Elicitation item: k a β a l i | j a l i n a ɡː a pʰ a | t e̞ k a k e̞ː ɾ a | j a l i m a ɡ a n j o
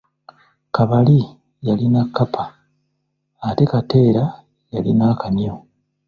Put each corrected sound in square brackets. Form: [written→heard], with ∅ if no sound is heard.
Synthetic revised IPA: k a β a l i | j a l i n a [ɡː→kː] a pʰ a | t e̞ k a [k→t] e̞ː ɾ a | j a l i [m→n] a [ɡ→k] a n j o